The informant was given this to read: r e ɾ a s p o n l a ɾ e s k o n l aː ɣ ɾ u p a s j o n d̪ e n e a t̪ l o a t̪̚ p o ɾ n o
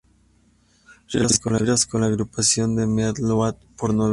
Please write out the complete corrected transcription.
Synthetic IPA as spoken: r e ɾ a s k o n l a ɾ a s k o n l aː ɣ ɾ u p a s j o n d̪ e m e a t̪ l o a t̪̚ p o ɾ n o